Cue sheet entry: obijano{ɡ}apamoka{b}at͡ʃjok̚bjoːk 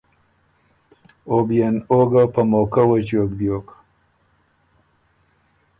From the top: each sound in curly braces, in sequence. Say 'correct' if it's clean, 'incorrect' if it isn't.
correct, incorrect

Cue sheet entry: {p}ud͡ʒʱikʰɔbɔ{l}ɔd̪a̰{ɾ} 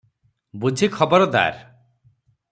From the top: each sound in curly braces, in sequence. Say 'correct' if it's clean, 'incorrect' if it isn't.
incorrect, incorrect, correct

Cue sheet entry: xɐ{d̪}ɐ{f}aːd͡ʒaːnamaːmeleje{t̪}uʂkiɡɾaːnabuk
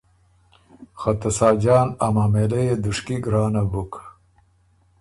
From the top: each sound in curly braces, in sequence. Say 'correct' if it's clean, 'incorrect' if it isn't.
incorrect, incorrect, incorrect

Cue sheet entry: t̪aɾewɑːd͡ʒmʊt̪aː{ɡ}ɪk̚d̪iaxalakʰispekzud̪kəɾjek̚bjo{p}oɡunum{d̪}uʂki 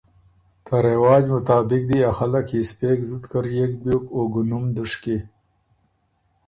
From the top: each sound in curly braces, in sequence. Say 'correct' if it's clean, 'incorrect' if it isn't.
incorrect, incorrect, correct

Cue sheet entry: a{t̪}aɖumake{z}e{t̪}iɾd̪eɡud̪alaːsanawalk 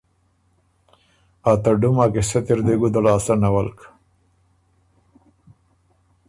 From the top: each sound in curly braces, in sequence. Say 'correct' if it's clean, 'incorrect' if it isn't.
correct, incorrect, correct

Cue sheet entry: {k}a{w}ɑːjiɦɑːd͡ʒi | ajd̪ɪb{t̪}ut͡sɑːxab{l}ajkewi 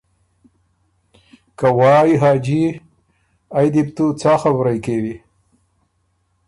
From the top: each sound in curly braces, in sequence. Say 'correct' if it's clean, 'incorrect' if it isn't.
correct, correct, correct, incorrect

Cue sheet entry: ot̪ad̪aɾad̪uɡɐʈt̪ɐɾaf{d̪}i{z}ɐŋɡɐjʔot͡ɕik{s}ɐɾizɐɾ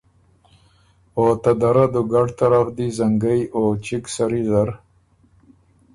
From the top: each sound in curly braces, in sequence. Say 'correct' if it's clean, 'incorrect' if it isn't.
correct, correct, correct

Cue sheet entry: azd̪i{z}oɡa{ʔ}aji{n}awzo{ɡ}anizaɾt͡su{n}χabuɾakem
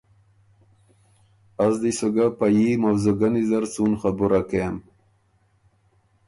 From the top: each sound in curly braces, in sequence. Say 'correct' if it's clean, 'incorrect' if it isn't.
incorrect, incorrect, incorrect, correct, correct

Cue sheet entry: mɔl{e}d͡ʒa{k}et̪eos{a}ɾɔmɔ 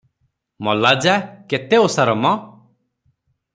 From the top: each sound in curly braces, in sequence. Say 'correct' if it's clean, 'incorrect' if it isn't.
incorrect, correct, correct

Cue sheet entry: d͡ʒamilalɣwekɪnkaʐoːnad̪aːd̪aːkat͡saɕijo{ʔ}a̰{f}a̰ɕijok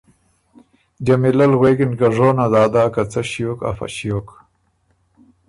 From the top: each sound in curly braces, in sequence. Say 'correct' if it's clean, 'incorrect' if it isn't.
incorrect, correct

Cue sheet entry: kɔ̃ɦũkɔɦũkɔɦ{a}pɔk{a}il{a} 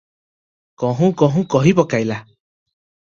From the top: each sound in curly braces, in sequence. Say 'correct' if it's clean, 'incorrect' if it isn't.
incorrect, correct, correct

